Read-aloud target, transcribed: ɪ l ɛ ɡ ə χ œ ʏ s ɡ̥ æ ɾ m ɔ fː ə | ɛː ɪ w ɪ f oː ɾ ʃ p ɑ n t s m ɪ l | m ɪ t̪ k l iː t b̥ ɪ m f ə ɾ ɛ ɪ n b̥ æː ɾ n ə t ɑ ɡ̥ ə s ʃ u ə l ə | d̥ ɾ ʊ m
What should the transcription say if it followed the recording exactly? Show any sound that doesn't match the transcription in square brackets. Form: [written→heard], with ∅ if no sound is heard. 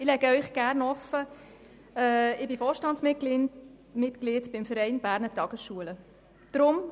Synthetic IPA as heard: ɪ l ɛ ɡ ə [χ→∅] œ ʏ [s→χ] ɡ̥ æ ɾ [m→n] ɔ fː ə | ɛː ɪ [w→b] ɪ f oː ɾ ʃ [p→t] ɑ n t s m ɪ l | m ɪ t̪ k l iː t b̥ ɪ m f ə ɾ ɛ ɪ n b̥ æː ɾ n ə t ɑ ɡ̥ ə s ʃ u ə l ə | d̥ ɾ ʊ m